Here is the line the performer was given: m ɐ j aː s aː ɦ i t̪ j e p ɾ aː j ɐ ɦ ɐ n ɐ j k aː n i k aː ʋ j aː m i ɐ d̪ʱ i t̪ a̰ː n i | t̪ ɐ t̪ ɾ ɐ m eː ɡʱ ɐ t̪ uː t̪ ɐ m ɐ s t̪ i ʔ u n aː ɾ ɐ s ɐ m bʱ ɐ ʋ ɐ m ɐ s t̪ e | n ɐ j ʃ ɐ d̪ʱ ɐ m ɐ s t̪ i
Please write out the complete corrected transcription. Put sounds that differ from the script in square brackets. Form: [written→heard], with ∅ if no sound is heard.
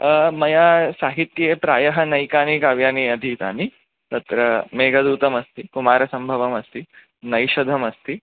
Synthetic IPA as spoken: m ɐ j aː s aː ɦ i t̪ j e p ɾ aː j ɐ ɦ ɐ n ɐ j k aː n i k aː ʋ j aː [m→n] i ɐ d̪ʱ i t̪ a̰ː n i | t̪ ɐ t̪ ɾ ɐ m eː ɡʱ ɐ [t̪→d̪] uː t̪ ɐ m ɐ s t̪ i [ʔ→k] u [n→m] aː ɾ ɐ s ɐ m bʱ ɐ ʋ ɐ m ɐ s t̪ [e→i] | n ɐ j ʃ ɐ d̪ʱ ɐ m ɐ s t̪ i